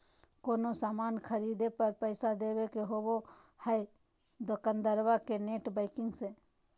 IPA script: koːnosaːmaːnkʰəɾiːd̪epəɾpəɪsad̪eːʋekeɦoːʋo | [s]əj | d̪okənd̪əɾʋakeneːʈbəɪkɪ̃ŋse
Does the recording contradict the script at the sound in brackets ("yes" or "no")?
yes